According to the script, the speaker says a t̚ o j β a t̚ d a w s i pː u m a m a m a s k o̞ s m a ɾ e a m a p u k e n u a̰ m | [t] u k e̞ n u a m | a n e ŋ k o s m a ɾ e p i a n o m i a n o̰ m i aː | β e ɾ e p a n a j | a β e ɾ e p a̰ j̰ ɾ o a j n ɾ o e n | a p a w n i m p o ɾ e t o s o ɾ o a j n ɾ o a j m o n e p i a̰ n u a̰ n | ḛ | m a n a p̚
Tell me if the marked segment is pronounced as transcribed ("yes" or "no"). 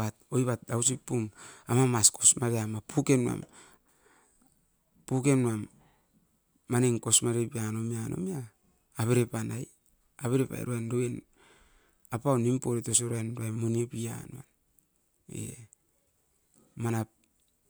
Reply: no